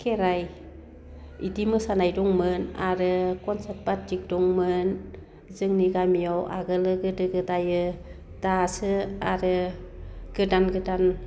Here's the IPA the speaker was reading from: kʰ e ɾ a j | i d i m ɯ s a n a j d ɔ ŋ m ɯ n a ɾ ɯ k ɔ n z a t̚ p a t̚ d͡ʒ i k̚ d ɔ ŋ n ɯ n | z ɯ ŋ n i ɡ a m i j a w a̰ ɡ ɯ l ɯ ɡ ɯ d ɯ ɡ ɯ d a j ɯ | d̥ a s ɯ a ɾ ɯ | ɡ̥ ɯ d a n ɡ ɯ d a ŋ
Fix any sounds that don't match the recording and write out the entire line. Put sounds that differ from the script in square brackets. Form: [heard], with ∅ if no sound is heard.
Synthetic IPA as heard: kʰ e ɾ a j | i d i m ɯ s a n a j d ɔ ŋ m ɯ n a ɾ ɯ k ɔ n [s] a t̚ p a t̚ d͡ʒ i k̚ d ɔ ŋ [m] ɯ n | z ɯ ŋ n i ɡ a m i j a w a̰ ɡ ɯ l ɯ ɡ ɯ d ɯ ɡ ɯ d a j ɯ | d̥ a s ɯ a ɾ ɯ | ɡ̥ ɯ d a n ɡ ɯ d a [n]